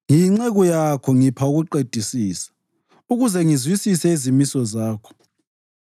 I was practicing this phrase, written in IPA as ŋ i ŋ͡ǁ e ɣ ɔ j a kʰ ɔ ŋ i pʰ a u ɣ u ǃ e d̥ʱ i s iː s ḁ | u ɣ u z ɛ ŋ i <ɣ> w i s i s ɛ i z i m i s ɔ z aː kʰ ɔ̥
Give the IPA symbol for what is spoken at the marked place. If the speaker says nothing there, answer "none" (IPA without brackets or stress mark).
z